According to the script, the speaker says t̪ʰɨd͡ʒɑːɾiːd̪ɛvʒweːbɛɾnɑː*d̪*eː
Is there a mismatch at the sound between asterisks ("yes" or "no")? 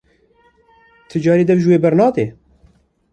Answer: no